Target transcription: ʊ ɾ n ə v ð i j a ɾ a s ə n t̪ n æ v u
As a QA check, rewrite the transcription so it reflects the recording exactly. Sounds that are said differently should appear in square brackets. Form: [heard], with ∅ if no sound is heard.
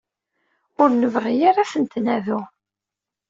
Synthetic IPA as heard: ʊ ɾ n ə v [ʁ] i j a ɾ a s ə n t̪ n æ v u